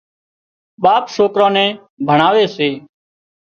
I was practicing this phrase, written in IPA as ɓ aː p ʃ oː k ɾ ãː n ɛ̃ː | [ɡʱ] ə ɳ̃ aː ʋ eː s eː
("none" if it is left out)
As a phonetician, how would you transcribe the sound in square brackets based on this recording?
bʱ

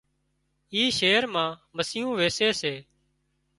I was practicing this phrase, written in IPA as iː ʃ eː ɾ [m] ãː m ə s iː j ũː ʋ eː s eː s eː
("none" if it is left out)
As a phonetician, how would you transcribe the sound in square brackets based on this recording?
m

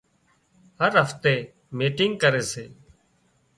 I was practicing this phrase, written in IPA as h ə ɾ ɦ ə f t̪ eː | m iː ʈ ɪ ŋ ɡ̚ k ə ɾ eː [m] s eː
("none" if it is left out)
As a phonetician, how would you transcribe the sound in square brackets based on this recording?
none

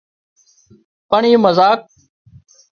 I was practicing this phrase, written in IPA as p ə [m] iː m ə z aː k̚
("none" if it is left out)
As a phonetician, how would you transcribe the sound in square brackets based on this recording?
ɳ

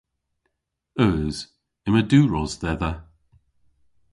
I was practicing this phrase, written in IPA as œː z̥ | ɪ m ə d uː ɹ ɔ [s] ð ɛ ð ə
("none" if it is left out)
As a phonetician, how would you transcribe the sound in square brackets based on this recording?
z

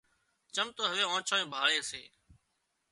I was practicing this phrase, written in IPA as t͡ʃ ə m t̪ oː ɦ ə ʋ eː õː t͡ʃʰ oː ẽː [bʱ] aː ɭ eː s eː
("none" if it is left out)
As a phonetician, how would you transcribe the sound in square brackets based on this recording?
bʱ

